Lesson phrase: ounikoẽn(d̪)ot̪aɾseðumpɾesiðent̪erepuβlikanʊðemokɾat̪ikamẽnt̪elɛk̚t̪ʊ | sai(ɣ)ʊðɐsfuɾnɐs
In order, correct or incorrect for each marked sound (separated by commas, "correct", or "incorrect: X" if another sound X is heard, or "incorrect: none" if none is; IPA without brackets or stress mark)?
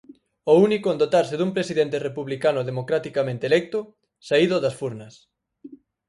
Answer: correct, incorrect: ð